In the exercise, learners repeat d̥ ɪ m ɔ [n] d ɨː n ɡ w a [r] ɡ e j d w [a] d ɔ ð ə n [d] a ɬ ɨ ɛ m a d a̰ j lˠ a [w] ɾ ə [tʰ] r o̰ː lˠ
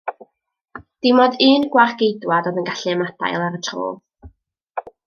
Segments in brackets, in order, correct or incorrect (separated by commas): incorrect, correct, correct, incorrect, incorrect, correct